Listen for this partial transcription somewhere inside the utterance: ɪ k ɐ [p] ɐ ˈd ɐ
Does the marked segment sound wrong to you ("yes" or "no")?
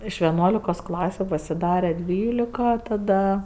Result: yes